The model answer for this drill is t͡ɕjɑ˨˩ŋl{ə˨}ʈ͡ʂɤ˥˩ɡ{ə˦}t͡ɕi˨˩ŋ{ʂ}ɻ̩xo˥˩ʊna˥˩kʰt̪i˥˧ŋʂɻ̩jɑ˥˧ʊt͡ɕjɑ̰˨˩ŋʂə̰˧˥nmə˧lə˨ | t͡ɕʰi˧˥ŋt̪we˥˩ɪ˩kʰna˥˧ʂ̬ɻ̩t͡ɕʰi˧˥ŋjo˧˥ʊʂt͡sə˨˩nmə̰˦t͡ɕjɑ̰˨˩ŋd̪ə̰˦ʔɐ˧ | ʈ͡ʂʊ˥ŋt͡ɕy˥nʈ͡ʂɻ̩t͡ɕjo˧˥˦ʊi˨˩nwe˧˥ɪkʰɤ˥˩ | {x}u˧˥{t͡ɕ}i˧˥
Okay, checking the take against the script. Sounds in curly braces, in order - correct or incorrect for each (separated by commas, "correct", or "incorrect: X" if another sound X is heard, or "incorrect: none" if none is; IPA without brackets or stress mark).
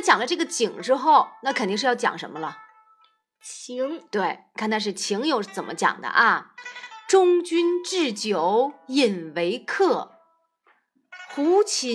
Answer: incorrect: ə˦, incorrect: ə˩, incorrect: ʈ͡ʂ, correct, incorrect: t͡ɕʰ